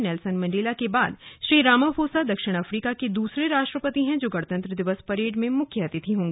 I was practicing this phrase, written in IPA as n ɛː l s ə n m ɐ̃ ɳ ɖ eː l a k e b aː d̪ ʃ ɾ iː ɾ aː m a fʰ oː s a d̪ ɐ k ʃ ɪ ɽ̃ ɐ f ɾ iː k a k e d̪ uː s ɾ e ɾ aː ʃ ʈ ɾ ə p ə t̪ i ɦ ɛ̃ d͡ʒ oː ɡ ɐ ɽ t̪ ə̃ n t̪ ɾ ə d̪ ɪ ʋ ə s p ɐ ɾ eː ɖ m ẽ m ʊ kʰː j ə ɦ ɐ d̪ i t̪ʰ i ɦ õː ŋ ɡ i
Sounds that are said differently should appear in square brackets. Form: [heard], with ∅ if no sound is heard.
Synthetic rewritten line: n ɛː l s ə n m ɐ̃ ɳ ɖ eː l a k e b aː d̪ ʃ ɾ iː ɾ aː m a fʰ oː s a d̪ ɐ k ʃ ɪ ɽ̃ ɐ f ɾ iː k a k e d̪ uː s ɾ e ɾ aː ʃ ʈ ɾ ə p ə t̪ i ɦ ɛ̃ d͡ʒ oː ɡ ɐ ɽ t̪ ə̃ n t̪ ɾ ə d̪ ɪ ʋ ə s p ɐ ɾ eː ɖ m ẽ m ʊ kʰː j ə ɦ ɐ [t̪] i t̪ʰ i ɦ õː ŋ ɡ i